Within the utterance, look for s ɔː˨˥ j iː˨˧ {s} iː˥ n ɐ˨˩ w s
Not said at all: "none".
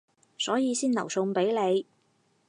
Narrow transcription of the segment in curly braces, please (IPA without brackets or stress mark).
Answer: s